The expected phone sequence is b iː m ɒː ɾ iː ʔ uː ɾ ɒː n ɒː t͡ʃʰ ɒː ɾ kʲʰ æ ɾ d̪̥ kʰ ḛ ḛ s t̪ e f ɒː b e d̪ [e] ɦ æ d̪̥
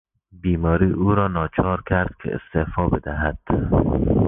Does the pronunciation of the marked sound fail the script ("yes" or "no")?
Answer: yes